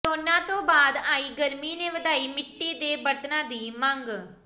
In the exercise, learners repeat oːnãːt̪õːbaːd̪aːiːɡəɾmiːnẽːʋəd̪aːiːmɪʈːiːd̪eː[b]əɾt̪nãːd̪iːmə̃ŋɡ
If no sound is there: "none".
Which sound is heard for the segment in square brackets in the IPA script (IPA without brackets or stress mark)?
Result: b